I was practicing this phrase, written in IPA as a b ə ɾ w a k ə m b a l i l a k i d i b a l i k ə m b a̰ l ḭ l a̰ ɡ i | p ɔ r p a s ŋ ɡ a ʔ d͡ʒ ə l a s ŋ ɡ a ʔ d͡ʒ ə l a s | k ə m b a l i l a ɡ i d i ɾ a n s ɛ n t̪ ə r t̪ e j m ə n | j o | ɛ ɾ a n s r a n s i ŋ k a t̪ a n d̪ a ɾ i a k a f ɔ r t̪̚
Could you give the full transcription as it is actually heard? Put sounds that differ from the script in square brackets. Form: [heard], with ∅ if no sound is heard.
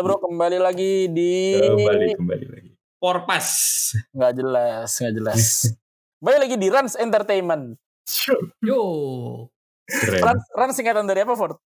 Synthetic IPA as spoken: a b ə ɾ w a k ə m b a l i l a [ɡ] i d i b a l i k ə m b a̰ l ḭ l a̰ ɡ i | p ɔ r p a s ŋ ɡ a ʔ d͡ʒ ə l a s ŋ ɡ a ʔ d͡ʒ ə l a s | k ə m b a l i l a ɡ i d i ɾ a n s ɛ n t̪ ə r t̪ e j m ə n | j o | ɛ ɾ a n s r a n s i ŋ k a t̪ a n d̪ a ɾ i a [p] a f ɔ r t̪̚